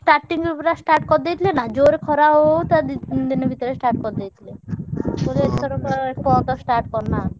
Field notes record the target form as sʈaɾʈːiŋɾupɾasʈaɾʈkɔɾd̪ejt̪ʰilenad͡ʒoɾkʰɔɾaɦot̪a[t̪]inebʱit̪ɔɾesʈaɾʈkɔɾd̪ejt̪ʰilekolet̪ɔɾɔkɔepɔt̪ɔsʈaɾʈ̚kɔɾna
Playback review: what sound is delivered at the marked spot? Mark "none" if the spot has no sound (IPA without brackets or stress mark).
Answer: d̪